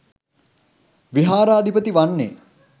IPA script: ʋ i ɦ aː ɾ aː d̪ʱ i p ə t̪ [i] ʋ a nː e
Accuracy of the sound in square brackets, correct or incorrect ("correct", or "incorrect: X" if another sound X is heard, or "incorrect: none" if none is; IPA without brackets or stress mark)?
correct